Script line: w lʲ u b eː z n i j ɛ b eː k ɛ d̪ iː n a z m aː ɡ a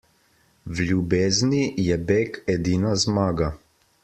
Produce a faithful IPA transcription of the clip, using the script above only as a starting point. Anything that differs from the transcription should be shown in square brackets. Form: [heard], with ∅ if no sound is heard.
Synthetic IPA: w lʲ u b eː z n i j ɛ b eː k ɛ d̪ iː n a z m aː ɡ a